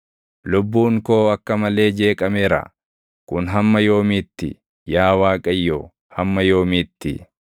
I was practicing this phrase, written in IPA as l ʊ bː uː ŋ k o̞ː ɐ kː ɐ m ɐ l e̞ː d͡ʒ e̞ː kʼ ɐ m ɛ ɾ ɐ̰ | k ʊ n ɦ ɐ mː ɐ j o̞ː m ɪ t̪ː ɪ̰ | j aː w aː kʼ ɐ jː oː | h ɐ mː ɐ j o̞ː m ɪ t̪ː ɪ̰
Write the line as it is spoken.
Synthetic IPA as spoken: l ʊ bː uː ŋ k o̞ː ɐ kː ɐ m ɐ l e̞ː d͡ʒ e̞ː kʼ ɐ m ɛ ɾ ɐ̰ | k ʊ n ɦ ɐ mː ɐ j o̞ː m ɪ t̪ː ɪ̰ | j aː w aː kʼ ɐ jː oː | h ɐ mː ɐ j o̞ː m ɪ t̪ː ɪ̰